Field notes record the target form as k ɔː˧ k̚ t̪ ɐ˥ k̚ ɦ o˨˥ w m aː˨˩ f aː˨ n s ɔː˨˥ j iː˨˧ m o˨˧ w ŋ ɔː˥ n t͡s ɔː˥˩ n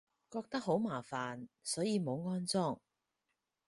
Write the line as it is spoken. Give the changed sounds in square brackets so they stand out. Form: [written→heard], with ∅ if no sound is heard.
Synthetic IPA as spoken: k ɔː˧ k̚ t̪ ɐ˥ k̚ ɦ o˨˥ w m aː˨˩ f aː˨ n s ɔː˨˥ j iː˨˧ m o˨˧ w ŋ ɔː˥ n t͡s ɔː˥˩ [n→ŋ]